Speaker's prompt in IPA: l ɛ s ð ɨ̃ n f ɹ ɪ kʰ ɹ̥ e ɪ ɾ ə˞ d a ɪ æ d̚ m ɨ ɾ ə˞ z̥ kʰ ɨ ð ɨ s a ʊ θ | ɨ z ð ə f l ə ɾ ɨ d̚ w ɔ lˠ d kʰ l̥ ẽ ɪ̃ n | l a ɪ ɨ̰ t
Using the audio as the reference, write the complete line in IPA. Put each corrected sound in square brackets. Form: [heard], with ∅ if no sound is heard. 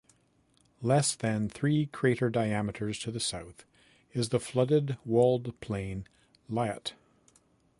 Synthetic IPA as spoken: l ɛ s ð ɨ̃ n [θ] ɹ [i] kʰ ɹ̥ e ɪ ɾ ə˞ d a ɪ æ [∅] m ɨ ɾ ə˞ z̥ [tʰ] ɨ ð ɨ s a ʊ θ | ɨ z ð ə f l [ʌ] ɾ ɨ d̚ w ɔ lˠ d [pʰ] l̥ ẽ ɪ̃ n | l a ɪ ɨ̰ t